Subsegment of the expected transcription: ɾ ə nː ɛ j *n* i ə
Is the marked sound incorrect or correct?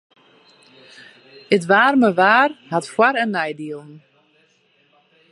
incorrect